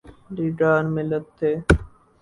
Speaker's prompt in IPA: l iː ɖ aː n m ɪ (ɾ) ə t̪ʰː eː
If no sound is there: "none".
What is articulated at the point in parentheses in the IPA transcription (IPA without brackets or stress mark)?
l